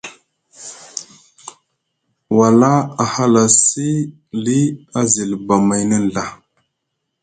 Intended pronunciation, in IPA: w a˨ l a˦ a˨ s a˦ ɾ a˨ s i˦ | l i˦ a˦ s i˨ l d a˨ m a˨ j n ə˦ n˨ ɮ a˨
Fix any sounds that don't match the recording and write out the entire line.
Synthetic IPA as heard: w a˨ l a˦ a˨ h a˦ l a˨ s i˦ | l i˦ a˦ z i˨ l b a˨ m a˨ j n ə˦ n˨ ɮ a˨